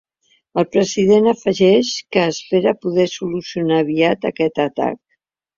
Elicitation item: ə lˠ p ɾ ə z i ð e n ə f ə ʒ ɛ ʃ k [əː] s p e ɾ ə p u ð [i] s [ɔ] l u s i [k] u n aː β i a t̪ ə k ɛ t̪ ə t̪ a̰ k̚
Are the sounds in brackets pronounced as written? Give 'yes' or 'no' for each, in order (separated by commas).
yes, no, no, no